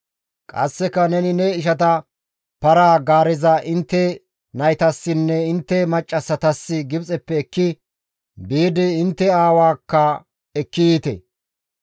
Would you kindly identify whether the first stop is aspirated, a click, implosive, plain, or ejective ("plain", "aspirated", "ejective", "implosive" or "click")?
ejective